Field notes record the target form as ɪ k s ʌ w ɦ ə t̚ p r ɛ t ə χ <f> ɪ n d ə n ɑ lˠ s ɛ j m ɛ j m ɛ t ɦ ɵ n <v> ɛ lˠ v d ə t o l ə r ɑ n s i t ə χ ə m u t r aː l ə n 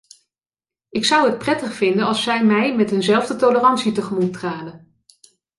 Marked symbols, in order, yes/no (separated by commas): yes, no